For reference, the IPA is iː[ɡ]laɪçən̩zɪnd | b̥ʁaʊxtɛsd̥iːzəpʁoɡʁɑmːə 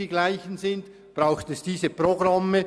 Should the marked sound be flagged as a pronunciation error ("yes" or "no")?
no